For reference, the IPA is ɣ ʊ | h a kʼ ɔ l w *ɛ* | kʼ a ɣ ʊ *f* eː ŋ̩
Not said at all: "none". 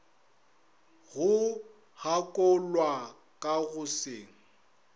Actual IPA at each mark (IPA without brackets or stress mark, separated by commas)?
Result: a, s